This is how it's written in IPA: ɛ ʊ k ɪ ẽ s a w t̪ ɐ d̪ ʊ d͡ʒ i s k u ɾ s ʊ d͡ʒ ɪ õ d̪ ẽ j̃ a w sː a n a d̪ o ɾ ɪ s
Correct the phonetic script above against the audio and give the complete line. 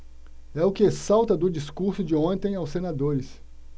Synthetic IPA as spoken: ɛ ʊ k ɪ e s a w t̪ ɐ d̪ ʊ d͡ʒ i s k u ɾ s ʊ d͡ʒ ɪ õ t̪ ẽ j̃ a w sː e n a d̪ o ɾ ɪ s